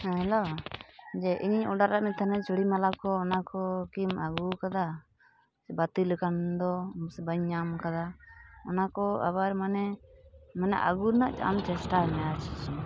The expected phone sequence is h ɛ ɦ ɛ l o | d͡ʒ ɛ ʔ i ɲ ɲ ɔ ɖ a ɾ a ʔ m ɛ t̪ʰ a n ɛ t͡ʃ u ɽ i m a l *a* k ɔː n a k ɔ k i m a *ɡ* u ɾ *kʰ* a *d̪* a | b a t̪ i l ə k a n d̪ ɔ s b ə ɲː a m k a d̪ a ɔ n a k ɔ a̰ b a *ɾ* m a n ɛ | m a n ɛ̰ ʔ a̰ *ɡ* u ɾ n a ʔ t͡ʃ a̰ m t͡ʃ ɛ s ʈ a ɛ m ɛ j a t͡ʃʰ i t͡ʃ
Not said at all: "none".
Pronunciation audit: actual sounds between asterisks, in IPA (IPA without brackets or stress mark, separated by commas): a, ɡ, k, d̪, ɾ, ɡ